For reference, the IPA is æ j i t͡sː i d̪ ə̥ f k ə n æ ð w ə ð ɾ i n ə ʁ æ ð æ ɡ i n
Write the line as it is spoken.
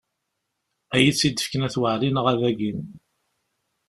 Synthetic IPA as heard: æ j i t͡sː i d̪ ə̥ f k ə n æ θ w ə ʕ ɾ i n ə ʁ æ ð æ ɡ i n